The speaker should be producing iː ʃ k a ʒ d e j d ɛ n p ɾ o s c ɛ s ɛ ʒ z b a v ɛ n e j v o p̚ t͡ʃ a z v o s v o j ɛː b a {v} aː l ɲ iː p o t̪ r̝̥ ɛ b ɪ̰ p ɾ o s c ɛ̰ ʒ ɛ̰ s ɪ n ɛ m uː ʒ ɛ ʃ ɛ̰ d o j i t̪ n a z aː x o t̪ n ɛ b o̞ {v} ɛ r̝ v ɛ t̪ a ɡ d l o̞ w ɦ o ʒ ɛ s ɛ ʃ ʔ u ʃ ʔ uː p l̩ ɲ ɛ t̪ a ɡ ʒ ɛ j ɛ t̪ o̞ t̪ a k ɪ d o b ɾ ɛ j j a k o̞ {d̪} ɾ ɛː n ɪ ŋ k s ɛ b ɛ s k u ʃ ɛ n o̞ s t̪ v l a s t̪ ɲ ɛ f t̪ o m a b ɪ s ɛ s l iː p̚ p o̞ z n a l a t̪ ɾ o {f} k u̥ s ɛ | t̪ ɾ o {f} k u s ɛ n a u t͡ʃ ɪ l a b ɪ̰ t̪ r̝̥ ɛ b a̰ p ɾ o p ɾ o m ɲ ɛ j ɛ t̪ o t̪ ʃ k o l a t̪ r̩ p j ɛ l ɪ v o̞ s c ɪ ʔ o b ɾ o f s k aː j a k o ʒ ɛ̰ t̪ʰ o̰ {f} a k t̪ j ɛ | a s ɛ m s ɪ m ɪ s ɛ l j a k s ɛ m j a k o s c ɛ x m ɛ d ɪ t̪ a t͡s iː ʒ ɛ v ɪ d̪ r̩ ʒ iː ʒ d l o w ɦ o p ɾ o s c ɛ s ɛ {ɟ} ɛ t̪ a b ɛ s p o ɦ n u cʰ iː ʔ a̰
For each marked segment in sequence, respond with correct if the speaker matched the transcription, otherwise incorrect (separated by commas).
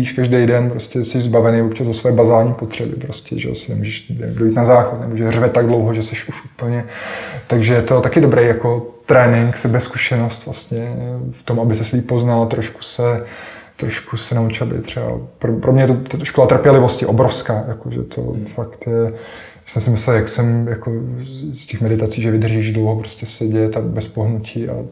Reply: incorrect, incorrect, incorrect, incorrect, incorrect, correct, correct